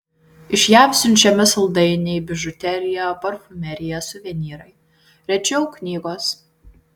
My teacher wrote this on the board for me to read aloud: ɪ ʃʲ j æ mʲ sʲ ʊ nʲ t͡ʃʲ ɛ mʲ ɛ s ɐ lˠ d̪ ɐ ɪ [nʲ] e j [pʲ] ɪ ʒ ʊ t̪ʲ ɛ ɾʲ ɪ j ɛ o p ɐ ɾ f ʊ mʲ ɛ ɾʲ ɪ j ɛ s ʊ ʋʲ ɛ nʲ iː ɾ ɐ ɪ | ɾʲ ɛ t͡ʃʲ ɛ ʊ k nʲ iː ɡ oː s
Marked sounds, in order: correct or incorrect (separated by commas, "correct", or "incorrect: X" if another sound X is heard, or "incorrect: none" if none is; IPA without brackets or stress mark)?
correct, incorrect: bʲ